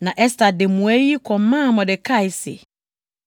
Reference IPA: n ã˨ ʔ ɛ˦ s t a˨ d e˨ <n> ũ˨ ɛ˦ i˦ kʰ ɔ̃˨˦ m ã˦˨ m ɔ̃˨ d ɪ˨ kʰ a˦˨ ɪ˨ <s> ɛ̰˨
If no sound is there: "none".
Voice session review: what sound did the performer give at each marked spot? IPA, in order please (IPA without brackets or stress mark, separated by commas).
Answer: m, s